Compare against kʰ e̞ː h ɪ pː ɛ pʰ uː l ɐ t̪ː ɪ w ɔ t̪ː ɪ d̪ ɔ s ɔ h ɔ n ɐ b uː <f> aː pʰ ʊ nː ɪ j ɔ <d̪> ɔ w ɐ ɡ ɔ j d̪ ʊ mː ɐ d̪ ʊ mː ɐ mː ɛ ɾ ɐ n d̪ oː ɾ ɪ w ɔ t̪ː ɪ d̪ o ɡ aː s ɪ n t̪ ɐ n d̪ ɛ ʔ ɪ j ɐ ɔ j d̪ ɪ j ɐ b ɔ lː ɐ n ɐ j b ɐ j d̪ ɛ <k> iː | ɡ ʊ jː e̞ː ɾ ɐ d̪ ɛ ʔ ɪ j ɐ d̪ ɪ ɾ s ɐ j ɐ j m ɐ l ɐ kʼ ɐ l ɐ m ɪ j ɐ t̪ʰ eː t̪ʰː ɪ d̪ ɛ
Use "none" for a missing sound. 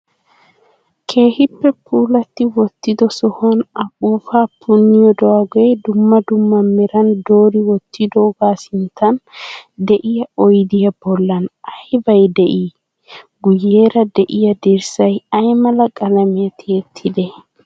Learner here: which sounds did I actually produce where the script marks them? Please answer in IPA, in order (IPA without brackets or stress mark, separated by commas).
f, d̪, ʔ